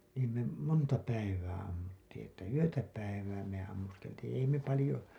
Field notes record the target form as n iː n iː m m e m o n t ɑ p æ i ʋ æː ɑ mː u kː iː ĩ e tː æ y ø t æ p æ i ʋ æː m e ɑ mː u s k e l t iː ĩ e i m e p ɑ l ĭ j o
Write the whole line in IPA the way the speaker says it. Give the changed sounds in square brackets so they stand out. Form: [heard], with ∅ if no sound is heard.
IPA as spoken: n iː n iː m m e m o n t ɑ p æ i ʋ æː ɑ mː u [tː] iː ĩ e tː æ y ø t æ p æ i ʋ æː m e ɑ mː u s k e l t iː ĩ e i m e p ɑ l ĭ j o